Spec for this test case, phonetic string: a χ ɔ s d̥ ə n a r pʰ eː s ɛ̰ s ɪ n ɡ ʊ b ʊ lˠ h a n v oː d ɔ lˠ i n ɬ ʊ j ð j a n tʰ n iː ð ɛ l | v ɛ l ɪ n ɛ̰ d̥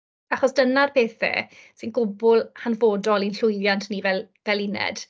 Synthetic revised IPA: a χ ɔ s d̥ ə n a r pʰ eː θ ɛ̰ s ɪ n ɡ ʊ b ʊ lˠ h a n v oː d ɔ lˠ i n ɬ ʊ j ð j a n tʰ n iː v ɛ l | v ɛ l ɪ n ɛ̰ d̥